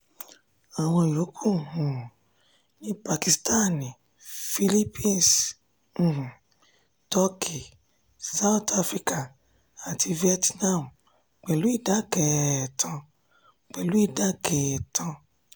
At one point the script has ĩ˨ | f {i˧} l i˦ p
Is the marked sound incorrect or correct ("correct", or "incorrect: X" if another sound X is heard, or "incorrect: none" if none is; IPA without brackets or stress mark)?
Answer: correct